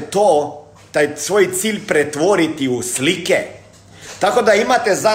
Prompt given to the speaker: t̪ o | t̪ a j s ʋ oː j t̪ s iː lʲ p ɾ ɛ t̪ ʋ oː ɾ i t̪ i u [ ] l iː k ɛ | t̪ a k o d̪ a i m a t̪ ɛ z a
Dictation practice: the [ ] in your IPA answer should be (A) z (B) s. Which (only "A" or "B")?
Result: B